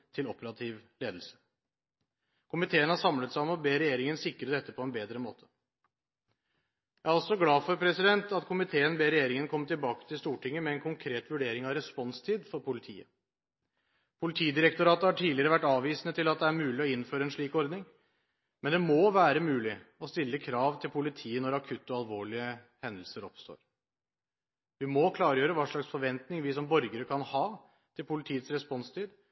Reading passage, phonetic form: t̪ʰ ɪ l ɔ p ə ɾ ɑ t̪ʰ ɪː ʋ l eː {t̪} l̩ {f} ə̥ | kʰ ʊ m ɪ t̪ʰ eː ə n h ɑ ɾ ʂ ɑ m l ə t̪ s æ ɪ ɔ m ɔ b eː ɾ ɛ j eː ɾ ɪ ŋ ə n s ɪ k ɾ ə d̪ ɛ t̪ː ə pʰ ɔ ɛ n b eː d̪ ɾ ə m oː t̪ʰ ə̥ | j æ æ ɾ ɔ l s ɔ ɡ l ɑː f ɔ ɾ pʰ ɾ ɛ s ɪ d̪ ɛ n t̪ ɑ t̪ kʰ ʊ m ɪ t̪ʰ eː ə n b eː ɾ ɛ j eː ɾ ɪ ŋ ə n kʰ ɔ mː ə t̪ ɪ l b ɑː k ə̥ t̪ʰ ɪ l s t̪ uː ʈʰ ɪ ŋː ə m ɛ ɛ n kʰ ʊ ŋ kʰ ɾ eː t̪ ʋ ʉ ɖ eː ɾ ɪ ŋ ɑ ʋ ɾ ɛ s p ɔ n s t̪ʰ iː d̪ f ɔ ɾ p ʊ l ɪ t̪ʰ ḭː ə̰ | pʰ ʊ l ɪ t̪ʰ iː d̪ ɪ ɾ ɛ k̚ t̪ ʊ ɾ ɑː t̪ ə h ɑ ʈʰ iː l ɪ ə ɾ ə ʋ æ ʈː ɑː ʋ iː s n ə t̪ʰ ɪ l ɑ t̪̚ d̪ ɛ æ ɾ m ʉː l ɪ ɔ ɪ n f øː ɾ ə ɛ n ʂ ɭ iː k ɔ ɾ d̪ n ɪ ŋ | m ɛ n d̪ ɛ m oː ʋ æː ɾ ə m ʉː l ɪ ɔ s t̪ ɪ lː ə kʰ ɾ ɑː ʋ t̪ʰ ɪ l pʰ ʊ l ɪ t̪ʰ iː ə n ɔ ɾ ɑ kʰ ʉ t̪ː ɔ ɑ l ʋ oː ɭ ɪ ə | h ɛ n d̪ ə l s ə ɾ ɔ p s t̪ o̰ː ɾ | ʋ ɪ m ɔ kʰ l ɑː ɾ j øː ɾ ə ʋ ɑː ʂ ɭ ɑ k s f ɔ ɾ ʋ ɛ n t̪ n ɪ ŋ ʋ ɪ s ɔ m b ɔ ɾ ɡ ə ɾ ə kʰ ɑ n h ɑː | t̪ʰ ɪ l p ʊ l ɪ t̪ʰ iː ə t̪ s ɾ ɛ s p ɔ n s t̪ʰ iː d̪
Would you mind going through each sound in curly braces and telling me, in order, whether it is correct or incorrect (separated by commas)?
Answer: incorrect, incorrect